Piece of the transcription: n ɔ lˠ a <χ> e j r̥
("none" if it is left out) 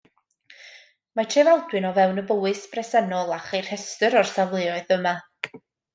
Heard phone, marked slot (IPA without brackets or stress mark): χ